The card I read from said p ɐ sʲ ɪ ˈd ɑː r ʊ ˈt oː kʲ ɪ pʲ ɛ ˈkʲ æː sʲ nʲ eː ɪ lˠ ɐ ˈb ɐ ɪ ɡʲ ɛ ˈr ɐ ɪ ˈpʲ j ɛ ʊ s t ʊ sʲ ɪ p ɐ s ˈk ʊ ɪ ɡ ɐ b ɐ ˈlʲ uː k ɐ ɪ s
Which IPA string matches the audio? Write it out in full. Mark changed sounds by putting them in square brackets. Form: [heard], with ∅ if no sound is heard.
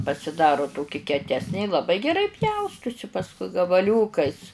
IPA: p ɐ sʲ ɪ ˈd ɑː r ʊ ˈt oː kʲ ɪ [kʲ] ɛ [ˈtʲ] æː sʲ nʲ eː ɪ lˠ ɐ ˈb ɐ ɪ ɡʲ ɛ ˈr ɐ ɪ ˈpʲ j ɛ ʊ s t ʊ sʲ ɪ p ɐ s ˈk ʊ ɪ ɡ ɐ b ɐ ˈlʲ uː k ɐ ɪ s

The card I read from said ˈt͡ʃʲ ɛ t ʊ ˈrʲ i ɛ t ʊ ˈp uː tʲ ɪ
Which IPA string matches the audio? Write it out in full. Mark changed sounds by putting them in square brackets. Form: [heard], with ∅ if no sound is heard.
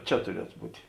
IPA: ˈt͡ʃʲ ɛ t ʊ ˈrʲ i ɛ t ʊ [ˈb] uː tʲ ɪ

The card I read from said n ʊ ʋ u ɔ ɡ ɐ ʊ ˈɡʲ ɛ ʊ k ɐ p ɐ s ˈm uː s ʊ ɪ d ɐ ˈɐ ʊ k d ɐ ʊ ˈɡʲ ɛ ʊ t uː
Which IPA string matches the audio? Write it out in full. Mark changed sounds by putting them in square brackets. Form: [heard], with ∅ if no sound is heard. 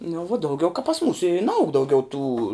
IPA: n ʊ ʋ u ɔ [d] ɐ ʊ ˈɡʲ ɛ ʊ k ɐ p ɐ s ˈm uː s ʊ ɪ [n] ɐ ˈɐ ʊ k d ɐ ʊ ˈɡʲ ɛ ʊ t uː

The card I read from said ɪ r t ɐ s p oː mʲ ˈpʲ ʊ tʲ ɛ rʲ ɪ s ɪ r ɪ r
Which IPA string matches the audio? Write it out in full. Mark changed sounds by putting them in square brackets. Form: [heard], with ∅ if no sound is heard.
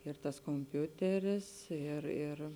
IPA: ɪ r t ɐ s [k] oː mʲ ˈpʲ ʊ tʲ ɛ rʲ ɪ s ɪ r ɪ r

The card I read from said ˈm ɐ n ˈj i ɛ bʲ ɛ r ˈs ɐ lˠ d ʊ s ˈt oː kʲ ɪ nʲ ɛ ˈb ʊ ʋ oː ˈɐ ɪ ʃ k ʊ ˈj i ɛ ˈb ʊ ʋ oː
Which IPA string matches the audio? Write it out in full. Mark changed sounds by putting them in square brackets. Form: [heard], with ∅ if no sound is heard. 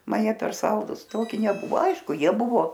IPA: ˈm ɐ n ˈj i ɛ [pʲ] ɛ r ˈs ɐ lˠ d ʊ s ˈt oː kʲ ɪ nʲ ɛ ˈb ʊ ʋ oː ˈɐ ɪ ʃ k ʊ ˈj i ɛ ˈb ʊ ʋ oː

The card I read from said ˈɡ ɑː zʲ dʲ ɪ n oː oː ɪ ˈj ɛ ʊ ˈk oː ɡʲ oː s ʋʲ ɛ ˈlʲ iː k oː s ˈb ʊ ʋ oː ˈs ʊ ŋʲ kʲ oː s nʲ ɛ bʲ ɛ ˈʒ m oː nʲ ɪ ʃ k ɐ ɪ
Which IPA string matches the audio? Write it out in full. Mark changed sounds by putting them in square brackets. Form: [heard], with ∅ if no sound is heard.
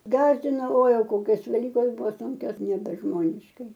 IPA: ˈɡ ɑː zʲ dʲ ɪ n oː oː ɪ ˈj ɛ ʊ ˈk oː [kʲ] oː s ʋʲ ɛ ˈlʲ iː k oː s ˈb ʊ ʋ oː ˈs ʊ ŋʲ kʲ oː s nʲ ɛ bʲ ɛ ˈʒ m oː nʲ ɪ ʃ k ɐ ɪ

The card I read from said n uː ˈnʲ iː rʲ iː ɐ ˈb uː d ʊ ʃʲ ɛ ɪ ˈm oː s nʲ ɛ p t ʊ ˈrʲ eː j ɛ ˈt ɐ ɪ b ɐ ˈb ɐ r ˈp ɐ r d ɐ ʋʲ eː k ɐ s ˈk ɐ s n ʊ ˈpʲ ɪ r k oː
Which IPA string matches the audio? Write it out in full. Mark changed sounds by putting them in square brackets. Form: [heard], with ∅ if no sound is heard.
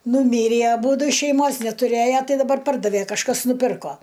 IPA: n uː [ˈmʲ] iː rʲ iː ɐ ˈb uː d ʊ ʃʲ ɛ ɪ ˈm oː s nʲ ɛ [∅] t ʊ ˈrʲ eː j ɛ ˈt ɐ ɪ [d] ɐ ˈb ɐ r ˈp ɐ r d ɐ ʋʲ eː k ɐ [ʃ] ˈk ɐ s n ʊ ˈpʲ ɪ r k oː

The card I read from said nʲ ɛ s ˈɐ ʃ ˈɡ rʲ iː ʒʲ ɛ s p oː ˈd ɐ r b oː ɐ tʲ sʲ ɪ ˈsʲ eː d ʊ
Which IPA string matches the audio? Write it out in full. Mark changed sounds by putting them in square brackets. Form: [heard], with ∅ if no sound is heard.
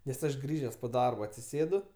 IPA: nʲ ɛ s ˈɐ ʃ ˈɡ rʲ iː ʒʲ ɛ s p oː ˈd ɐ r b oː ɐ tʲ sʲ ɪ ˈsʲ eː d ʊ

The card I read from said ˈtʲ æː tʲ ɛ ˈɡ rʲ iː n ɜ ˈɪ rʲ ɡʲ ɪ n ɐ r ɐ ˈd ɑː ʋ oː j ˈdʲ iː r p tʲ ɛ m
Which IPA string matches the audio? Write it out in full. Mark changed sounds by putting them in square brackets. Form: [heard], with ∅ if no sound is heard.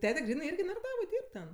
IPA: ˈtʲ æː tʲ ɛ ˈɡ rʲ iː n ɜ ˈɪ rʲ ɡʲ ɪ n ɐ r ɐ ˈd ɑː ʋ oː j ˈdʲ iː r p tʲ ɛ [n]

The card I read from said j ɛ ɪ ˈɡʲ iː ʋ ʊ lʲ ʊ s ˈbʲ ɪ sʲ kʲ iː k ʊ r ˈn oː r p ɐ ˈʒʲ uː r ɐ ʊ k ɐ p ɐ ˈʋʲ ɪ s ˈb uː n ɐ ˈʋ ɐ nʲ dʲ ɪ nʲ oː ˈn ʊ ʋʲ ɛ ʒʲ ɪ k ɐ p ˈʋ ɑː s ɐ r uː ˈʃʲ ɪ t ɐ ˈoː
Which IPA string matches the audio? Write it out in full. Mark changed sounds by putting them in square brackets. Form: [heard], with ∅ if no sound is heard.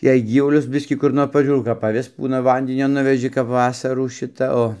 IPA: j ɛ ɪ ˈɡʲ iː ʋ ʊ lʲ ʊ s ˈbʲ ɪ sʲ kʲ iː k ʊ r ˈn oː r p ɐ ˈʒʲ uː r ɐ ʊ k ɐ p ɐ ˈʋʲ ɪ s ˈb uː n ɐ ˈʋ ɐ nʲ dʲ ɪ nʲ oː ˈn ʊ ʋʲ ɛ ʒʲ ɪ k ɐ p ˈʋ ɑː s ɐ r uː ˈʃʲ ɪ t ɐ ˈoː

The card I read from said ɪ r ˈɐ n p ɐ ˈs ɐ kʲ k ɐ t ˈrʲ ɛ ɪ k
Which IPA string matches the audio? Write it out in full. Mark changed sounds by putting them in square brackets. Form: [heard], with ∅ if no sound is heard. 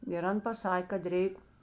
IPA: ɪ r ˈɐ n p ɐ ˈs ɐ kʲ k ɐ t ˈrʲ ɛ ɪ k

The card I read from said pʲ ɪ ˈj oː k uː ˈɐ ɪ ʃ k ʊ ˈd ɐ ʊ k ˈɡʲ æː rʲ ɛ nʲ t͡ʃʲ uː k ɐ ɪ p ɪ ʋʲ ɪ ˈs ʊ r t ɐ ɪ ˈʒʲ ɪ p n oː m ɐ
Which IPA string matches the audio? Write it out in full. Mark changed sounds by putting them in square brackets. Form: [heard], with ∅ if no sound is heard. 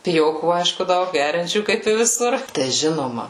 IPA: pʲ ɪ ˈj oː k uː ˈɐ ɪ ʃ k ʊ ˈd ɐ ʊ k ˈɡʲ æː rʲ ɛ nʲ t͡ʃʲ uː k ɐ ɪ p ɪ ʋʲ ɪ ˈs ʊ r t ɐ ɪ ˈʒʲ ɪ [∅] n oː m ɐ

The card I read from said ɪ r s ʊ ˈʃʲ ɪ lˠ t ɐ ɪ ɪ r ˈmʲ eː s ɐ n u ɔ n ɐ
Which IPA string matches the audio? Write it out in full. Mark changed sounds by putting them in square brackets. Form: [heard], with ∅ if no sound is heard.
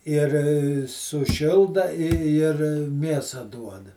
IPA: ɪ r s ʊ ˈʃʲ ɪ lˠ [d] ɐ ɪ ɪ r ˈmʲ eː s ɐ [d] u ɔ [d] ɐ

